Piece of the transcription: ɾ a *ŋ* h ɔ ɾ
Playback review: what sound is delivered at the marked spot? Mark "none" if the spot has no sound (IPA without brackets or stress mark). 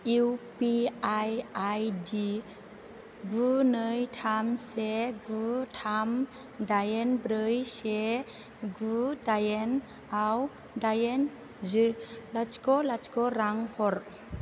ŋ